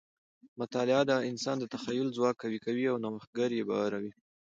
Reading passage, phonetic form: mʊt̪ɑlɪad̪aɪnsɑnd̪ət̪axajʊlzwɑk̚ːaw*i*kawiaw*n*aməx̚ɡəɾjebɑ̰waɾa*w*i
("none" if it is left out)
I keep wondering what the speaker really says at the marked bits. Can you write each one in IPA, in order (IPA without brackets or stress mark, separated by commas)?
i, n, w